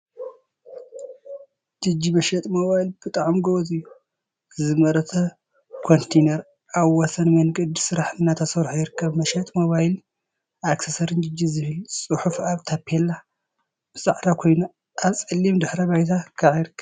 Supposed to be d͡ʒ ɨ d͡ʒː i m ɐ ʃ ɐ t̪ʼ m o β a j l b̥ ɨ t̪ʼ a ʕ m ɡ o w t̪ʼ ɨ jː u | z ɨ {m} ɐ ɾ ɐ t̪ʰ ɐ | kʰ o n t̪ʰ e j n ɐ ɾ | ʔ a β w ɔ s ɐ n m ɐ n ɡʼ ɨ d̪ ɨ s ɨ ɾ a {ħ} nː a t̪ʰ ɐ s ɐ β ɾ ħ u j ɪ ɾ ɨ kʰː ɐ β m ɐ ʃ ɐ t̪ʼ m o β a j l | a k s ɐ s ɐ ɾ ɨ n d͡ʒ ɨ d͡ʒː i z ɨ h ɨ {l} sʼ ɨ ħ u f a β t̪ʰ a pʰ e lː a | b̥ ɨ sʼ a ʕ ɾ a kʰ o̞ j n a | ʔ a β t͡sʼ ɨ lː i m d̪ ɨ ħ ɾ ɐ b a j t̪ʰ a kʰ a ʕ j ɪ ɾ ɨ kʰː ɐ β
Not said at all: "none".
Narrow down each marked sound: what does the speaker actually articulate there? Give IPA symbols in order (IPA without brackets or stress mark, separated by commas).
m, ħ, l